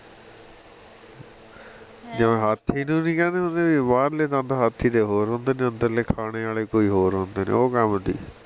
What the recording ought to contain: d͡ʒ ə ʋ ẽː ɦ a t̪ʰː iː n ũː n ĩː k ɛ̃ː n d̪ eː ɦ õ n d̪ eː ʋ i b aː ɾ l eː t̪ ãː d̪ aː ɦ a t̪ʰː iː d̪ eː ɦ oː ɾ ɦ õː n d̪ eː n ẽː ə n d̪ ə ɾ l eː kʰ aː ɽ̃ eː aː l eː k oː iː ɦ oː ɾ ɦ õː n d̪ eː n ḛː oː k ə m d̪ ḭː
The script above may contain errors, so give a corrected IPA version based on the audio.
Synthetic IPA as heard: d͡ʒ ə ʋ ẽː ɦ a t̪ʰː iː n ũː n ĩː k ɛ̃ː n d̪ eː ɦ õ n d̪ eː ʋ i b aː ɾ l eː t̪ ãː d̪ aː ɦ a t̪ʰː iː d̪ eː ɦ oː ɾ ɦ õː n d̪ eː n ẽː ə n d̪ ə ɾ l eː kʰ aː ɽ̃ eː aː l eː k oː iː ɦ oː ɾ ɦ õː n d̪ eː n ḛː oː k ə m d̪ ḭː